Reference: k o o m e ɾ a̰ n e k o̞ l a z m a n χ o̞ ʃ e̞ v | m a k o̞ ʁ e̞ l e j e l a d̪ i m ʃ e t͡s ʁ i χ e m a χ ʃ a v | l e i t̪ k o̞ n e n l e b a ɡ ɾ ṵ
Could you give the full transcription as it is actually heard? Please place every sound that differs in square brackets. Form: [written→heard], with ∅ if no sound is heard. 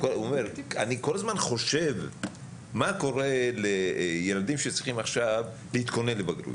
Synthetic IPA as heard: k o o m e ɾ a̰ n [e→i] k o̞ l a z m a n χ o̞ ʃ e̞ v | m a k o̞ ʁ e̞ l e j e l a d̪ i m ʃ e t͡s ʁ i χ [e→i] m a χ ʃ a v | l e i t̪ k o̞ n e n l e b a ɡ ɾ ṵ